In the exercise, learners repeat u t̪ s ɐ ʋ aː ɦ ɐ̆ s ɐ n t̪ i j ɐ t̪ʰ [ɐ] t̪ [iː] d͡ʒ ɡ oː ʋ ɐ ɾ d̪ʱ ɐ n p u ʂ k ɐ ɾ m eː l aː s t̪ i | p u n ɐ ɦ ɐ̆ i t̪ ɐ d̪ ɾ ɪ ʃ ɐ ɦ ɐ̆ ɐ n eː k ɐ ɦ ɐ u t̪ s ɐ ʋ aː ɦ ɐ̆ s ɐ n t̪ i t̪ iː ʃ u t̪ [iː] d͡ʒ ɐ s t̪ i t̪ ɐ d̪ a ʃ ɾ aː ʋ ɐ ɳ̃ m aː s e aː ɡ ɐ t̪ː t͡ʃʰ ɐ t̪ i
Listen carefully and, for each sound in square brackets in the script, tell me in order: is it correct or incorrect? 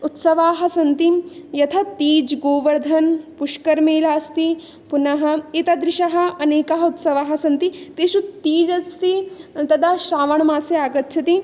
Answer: correct, correct, correct

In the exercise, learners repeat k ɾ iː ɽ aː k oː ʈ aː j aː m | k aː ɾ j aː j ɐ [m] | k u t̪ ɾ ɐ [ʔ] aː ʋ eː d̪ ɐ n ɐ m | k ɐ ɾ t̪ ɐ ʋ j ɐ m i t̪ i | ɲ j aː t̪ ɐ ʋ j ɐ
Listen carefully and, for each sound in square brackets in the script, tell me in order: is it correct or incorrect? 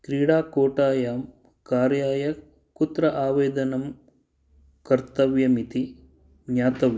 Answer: incorrect, correct

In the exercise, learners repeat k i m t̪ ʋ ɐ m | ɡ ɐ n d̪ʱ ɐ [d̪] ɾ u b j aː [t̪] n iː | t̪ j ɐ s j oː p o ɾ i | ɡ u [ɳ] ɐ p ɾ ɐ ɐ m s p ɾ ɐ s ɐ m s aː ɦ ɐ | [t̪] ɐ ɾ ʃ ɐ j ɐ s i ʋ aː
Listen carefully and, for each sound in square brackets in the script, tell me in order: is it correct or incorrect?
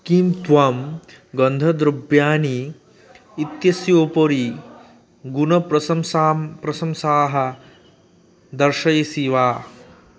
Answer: correct, incorrect, incorrect, incorrect

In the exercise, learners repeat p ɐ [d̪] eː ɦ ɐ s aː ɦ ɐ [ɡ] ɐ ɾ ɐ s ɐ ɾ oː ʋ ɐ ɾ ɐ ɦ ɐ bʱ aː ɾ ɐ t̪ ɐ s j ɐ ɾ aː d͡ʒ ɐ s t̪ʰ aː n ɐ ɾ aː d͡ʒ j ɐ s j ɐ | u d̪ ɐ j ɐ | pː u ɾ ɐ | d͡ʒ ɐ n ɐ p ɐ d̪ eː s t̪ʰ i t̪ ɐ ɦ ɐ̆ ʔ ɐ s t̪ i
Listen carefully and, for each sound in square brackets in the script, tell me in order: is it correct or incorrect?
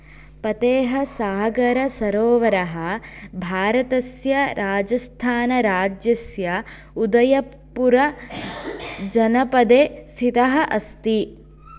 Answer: incorrect, correct

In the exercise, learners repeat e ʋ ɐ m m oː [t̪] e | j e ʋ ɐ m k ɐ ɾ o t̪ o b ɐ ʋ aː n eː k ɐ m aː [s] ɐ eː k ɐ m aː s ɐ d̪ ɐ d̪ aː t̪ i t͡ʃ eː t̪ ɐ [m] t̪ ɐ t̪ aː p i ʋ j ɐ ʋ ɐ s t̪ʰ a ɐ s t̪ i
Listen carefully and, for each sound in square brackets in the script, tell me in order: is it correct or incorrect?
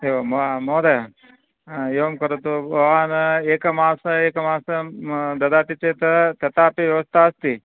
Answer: incorrect, correct, incorrect

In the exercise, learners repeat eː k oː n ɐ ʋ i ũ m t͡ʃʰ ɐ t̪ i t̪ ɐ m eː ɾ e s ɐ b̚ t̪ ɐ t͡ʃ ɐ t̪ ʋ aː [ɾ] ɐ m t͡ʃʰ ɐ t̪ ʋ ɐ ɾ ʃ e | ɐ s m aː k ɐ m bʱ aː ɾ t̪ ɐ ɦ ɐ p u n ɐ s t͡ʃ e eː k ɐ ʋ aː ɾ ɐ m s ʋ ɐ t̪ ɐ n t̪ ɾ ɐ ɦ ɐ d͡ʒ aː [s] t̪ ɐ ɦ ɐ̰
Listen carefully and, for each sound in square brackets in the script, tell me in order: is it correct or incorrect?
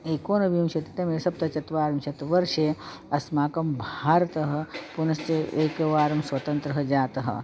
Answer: correct, incorrect

